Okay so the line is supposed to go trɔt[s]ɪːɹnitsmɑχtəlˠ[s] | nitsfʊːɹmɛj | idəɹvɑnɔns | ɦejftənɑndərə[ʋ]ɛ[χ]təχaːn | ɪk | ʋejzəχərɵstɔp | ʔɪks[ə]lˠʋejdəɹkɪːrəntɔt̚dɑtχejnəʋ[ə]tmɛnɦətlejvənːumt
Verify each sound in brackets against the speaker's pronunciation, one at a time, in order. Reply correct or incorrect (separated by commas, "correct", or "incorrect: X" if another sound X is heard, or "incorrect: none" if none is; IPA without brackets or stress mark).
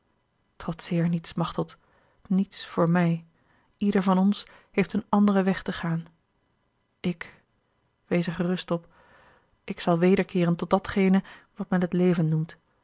correct, incorrect: t, correct, correct, incorrect: ɑ, incorrect: ɑ